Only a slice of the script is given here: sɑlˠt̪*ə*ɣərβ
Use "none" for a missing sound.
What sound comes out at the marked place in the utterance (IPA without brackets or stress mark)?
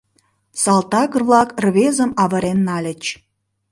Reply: ɑ